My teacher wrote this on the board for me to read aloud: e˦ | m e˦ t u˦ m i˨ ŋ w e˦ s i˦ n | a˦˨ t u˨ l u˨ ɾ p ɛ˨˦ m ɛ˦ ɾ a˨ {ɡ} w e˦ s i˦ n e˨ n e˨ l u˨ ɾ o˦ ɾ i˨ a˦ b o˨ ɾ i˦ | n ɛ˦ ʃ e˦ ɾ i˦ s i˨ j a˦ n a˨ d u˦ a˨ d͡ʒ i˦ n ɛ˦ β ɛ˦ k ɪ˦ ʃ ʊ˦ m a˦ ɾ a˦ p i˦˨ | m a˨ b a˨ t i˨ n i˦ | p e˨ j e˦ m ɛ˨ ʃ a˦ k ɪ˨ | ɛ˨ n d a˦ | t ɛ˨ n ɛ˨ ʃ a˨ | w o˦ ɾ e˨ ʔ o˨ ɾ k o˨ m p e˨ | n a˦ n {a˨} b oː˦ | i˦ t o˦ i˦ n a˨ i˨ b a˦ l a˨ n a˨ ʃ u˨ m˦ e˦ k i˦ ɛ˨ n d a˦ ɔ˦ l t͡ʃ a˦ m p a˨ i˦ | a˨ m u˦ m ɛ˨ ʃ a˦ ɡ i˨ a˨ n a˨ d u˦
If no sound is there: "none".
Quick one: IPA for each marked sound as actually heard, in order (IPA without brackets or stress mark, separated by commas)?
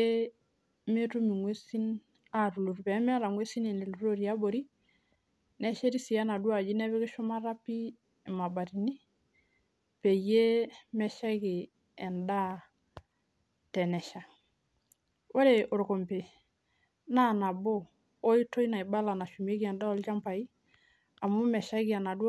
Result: ŋ, a˨